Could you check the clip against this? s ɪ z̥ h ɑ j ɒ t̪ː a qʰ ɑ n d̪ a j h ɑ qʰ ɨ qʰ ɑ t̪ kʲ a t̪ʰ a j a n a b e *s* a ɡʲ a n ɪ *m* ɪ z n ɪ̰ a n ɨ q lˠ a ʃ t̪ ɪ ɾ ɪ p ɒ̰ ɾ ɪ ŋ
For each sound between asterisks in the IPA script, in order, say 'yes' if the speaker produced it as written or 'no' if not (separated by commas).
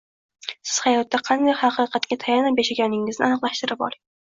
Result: no, no